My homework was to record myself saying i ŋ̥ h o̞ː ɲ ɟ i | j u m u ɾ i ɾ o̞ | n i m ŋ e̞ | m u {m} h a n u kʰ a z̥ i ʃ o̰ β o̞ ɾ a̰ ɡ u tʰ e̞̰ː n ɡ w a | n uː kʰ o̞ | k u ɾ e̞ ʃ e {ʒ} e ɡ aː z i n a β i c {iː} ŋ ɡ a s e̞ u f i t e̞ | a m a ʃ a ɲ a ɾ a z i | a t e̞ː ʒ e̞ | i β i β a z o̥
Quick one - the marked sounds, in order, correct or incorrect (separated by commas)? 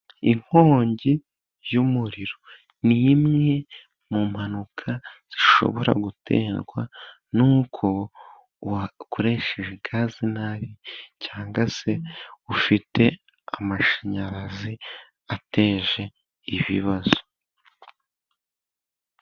correct, correct, incorrect